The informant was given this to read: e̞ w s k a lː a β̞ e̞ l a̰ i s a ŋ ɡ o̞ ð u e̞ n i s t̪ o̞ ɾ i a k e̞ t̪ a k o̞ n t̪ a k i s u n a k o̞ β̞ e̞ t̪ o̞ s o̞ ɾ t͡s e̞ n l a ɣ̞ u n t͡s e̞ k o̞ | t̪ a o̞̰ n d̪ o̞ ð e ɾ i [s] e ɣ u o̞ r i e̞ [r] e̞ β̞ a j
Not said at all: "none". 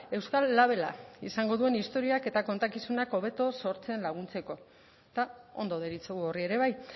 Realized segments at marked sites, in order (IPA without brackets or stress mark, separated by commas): t͡s, ɾ